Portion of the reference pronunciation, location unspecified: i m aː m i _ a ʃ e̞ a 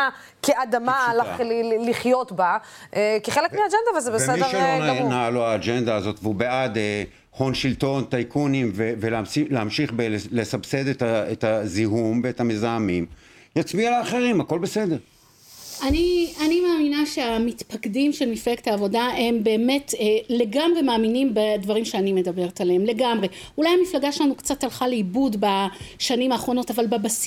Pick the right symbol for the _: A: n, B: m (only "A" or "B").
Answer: A